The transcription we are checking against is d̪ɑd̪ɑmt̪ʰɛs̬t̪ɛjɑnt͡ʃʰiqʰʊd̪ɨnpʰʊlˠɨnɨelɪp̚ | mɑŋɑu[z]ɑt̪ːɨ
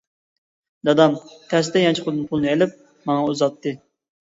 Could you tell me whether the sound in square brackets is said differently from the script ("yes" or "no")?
no